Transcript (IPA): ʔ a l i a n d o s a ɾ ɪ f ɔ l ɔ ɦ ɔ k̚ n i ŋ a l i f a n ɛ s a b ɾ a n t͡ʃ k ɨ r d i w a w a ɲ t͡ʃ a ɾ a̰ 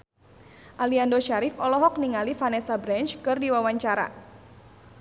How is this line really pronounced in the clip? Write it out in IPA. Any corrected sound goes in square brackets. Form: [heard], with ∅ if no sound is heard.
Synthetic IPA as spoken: ʔ a l i a n d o [ʃ] a ɾ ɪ f ɔ l ɔ ɦ ɔ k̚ n i ŋ a l i f a n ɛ s a b ɾ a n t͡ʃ k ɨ r d i w a w a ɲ t͡ʃ a ɾ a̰

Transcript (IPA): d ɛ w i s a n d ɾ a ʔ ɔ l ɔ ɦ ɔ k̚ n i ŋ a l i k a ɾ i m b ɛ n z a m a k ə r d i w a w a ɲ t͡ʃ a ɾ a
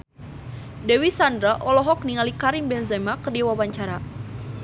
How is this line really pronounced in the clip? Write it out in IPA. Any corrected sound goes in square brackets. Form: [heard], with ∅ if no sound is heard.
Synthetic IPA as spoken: d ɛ w i s a n d ɾ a ʔ ɔ l ɔ ɦ ɔ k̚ n i ŋ a l i k a ɾ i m b ɛ n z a m a k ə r d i w a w a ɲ t͡ʃ a ɾ a

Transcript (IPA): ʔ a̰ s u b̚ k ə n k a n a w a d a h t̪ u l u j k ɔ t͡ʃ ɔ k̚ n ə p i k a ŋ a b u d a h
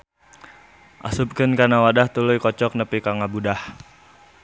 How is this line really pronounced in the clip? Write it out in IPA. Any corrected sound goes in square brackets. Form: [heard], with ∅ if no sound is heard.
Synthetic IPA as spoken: ʔ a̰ s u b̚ k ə n k a n a w a d a h t̪ u l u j k ɔ t͡ʃ ɔ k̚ n ə p i k a ŋ a b u d a h

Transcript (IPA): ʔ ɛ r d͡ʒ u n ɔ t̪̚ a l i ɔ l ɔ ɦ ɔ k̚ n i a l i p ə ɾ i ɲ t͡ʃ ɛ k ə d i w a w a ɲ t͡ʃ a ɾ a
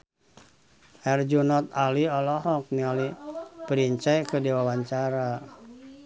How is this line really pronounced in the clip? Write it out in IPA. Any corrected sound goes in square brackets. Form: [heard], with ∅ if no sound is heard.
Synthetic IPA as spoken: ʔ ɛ r d͡ʒ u n ɔ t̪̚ a l i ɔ l ɔ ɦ ɔ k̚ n i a l i p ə ɾ i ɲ t͡ʃ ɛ k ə d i w a w a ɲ t͡ʃ a ɾ a

